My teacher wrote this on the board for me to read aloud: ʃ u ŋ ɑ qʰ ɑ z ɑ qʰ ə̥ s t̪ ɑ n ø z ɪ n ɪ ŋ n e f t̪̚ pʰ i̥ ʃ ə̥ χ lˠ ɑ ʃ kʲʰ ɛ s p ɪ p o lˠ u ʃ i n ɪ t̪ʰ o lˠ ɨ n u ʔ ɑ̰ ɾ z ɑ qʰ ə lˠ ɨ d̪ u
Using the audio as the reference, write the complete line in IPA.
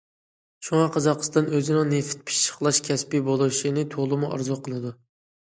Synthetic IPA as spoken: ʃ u ŋ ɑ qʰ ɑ z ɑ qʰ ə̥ s t̪ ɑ n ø z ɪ n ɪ ŋ n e f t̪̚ pʰ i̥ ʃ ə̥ χ lˠ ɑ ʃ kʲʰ ɛ s p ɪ b o lˠ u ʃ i n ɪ t̪ʰ o lˠ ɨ m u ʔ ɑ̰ ɾ z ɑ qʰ ə lˠ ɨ d̪ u

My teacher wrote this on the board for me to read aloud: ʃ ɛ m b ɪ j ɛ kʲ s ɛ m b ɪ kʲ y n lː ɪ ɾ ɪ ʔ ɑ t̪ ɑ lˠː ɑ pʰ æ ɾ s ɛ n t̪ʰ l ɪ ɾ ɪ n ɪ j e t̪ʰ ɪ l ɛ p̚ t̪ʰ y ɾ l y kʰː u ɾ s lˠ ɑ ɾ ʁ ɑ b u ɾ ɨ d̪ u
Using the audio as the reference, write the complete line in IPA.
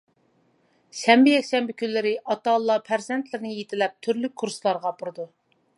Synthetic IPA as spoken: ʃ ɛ m b ɪ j ɛ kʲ ʃ ɛ m b ɪ kʲ y n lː ɪ ɾ ɪ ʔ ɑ t̪ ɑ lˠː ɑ pʰ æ ɾ z ɛ n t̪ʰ l ɪ ɾ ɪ n ɪ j e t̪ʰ ɪ l ɛ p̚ t̪ʰ y ɾ l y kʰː u ɾ s lˠ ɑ ɾ ʁ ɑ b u ɾ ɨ d̪ u

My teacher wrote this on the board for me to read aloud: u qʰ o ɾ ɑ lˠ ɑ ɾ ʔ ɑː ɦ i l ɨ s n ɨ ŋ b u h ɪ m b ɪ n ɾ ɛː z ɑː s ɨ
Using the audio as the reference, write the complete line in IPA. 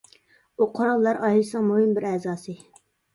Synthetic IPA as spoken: u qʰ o ɾ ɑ lˠː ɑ ɾ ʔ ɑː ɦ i l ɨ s n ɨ ŋ m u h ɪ m b ɪ ɾ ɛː z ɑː s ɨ

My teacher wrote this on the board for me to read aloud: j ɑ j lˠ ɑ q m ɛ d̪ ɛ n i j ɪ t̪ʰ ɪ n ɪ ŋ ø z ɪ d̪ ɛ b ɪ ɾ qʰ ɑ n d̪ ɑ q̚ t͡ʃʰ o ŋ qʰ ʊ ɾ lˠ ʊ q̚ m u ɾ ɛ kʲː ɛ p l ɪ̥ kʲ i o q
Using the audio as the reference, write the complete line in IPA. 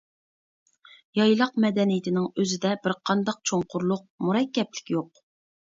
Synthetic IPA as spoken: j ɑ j lˠ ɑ q m ɛ d̪ ɛ n i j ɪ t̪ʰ ɪ n ɪ ŋ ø z ɪ d̪ ɛ b ɪ ɾ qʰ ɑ n d̪ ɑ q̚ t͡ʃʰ o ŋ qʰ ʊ ɾ lˠ ʊ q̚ m u ɾ ɛ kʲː ɛ p l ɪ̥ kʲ j o q

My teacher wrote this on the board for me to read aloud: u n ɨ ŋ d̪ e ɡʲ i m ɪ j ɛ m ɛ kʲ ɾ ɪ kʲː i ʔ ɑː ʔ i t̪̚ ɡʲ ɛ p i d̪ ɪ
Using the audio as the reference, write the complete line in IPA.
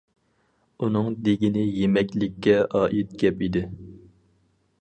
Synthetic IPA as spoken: u n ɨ ŋ d̪ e ɡʲ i n ɪ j e m ɛ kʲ l ɪ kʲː ɛ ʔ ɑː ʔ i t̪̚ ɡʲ ɛ p i d̪ ɪ

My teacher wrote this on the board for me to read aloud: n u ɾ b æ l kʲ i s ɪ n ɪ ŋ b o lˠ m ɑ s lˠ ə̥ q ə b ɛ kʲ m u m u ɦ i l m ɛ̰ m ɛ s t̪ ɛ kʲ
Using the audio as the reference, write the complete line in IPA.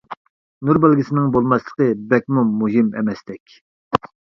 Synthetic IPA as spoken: n u ɾ b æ l ɡʲ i s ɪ n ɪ ŋ b o lˠ m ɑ s lˠ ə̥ q ə b ɛ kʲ m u m u ɦ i m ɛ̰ m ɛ s t̪ ɛ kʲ

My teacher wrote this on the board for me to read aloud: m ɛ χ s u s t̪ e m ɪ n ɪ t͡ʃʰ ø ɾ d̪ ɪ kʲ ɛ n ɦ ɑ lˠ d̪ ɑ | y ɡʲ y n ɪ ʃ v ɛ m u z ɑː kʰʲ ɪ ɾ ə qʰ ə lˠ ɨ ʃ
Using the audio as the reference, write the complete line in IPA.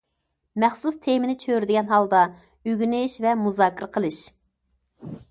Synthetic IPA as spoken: m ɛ χ s u s t̪ʰ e m ɪ n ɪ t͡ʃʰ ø ɾ d̪ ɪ ɡʲ ɛ n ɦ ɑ lˠ d̪ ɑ | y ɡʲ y n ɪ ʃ v ɛ m u z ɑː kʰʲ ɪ ɾ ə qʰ ə lˠ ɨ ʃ

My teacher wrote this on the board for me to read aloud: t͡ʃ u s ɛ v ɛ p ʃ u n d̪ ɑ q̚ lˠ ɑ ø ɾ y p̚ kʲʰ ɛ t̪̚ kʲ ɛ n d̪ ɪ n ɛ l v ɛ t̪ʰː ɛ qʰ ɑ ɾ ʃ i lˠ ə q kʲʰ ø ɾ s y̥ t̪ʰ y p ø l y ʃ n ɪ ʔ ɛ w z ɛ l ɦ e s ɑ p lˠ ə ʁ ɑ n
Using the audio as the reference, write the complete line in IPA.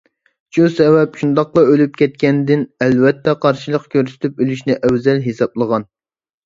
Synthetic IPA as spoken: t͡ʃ u s ɛ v ɛ p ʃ u n d̪ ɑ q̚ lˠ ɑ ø l y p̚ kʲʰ ɛ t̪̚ kʲ ɛ n d̪ ɪ n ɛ l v ɛ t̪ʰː ɛ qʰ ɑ ɾ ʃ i lˠ ə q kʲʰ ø ɾ s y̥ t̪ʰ y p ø l y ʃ n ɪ ʔ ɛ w z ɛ l ɦ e s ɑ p lˠ ə ʁ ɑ n

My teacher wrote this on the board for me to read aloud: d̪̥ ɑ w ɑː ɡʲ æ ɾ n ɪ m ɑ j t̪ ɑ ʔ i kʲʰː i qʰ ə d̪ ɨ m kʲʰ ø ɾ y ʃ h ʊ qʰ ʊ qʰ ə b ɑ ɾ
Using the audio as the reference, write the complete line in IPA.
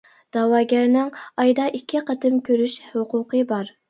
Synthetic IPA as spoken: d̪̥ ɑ w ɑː ɡʲ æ ɾ n ɪ ŋ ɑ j d̪ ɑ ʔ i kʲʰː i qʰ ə t̪ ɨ m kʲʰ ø ɾ y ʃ h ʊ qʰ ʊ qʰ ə b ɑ ɾ

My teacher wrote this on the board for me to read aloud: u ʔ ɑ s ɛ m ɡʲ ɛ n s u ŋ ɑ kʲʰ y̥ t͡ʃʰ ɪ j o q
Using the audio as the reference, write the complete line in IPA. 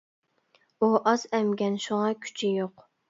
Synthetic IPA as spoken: u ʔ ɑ z ɛ m ɡʲ ɛ n ʃ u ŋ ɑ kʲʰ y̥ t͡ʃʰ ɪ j o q

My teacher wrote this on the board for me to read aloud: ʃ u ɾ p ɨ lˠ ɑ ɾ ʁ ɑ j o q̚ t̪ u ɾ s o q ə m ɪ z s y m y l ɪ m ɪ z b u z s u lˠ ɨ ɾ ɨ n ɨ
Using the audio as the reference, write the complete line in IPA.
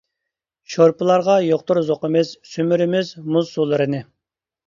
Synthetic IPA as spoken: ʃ o ɾ p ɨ lˠ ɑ ɾ ʁ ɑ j o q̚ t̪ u ɾ z o q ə m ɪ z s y m y ɾ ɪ m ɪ z m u z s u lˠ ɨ ɾ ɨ n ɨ

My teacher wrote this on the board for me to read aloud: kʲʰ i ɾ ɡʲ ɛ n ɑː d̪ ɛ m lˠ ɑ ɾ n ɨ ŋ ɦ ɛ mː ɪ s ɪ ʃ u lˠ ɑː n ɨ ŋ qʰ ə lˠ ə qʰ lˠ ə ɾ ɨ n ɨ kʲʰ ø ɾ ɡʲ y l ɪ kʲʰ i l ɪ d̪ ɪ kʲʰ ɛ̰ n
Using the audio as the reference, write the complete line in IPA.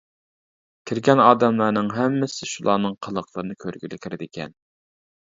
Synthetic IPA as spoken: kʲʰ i ɾ ɡʲ ɛ n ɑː d̪ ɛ m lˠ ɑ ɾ n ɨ ŋ ɦ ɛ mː ɪ s ɪ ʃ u lˠ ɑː n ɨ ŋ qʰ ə lˠ ə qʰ lˠ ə ɾ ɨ n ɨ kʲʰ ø ɾ ɡʲ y l ɪ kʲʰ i ɾ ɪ d̪ ɪ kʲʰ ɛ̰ n

